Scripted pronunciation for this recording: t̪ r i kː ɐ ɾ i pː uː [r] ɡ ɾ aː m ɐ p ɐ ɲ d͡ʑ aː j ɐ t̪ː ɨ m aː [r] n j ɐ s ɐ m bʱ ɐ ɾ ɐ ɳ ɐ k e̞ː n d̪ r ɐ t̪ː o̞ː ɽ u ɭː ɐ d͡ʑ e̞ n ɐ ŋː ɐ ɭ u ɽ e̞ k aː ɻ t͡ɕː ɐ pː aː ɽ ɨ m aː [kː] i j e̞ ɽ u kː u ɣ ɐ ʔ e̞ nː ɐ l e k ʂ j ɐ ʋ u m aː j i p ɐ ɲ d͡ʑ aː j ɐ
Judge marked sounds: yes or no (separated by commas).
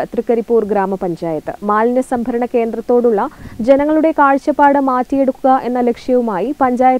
yes, no, no